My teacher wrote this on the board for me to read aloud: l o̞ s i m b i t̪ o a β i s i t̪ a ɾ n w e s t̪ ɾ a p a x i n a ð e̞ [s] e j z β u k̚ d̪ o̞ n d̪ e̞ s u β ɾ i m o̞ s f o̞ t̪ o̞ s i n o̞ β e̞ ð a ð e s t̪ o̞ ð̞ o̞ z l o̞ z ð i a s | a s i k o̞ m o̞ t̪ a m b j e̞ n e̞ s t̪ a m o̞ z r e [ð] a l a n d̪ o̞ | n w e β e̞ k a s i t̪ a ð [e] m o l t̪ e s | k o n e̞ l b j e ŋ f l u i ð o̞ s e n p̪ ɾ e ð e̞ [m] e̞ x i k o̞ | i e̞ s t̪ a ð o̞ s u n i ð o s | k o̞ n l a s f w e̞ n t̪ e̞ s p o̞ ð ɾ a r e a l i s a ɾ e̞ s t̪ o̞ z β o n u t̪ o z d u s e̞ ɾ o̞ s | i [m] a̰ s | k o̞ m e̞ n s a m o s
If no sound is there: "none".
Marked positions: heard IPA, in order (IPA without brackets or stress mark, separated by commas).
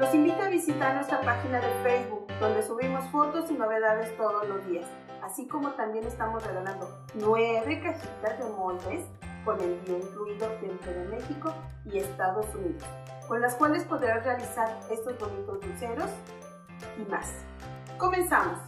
f, ɣ, e, m, m